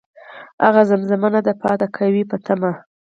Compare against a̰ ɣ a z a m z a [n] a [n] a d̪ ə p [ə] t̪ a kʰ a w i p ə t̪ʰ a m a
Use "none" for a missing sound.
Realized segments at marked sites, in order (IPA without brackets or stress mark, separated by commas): m, n, ɑ